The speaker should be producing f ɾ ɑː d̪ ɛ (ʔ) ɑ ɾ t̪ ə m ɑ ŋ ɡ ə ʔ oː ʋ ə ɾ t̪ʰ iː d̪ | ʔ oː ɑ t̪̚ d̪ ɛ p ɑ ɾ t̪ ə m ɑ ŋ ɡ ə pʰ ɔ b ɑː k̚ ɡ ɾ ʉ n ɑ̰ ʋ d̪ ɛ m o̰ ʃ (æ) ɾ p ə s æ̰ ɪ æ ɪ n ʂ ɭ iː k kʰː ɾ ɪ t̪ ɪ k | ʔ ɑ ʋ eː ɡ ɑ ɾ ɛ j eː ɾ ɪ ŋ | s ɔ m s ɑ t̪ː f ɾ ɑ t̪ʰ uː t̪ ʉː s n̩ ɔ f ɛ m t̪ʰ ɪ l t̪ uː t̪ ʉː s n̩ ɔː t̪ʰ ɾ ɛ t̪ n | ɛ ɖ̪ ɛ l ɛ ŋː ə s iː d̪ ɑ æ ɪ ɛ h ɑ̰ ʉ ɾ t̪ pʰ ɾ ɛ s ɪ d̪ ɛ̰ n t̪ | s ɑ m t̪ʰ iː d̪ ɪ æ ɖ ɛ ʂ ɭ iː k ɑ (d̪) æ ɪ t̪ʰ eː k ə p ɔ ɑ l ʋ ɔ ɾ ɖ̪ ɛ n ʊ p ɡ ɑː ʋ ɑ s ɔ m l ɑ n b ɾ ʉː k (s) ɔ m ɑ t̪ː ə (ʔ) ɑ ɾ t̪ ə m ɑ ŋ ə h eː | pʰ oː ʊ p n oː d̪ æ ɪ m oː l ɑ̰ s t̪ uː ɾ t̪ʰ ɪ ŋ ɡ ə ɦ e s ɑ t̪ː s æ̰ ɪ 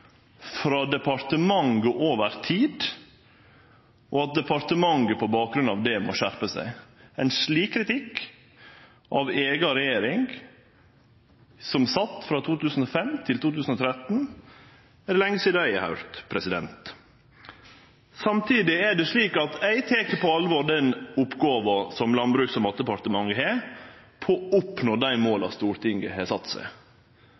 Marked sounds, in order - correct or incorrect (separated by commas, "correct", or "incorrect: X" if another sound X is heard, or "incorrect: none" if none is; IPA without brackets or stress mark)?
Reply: incorrect: p, correct, incorrect: t̪, correct, incorrect: p